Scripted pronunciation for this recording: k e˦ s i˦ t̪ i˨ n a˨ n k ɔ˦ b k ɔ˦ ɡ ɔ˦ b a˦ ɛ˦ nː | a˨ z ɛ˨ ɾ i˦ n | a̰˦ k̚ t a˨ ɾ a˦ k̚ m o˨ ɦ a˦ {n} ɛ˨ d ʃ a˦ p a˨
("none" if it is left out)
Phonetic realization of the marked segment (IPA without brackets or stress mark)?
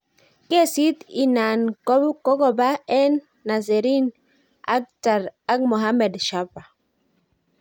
m